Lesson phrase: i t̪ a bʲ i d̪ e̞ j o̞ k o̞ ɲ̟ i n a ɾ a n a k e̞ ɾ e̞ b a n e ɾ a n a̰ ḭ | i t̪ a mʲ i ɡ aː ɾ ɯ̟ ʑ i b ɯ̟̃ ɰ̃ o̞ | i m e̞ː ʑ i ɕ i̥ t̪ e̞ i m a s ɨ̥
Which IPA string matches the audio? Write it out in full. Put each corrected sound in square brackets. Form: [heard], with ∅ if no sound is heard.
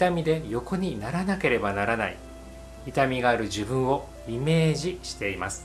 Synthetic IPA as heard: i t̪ a [mʲ] i d̪ e̞ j o̞ k o̞ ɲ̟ i n a ɾ a n a k e̞ ɾ e̞ b a n [a] ɾ a n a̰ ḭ | i t̪ a mʲ i ɡ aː ɾ ɯ̟ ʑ i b ɯ̟̃ ɰ̃ o̞ | i m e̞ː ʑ i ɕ i̥ t̪ e̞ i m a s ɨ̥